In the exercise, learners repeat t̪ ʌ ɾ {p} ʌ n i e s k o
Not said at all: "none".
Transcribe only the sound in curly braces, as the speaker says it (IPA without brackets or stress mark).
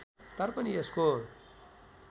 p